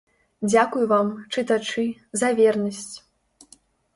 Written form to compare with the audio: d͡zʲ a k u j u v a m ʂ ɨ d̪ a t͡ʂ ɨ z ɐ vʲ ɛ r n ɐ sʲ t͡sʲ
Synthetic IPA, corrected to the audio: d͡zʲ a k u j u v a m t͡ʂ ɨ t̪ a t͡ʂ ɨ z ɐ vʲ ɛ r n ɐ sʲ t͡sʲ